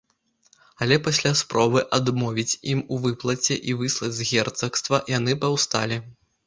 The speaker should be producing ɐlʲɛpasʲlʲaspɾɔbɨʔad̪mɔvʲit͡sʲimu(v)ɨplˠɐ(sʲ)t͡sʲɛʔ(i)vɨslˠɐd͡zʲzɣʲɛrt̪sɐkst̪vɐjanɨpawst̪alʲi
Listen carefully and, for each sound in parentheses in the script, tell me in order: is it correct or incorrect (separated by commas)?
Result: correct, incorrect, correct